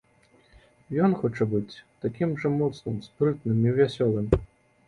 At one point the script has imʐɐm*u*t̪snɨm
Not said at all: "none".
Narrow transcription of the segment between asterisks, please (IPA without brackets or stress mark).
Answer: ɔ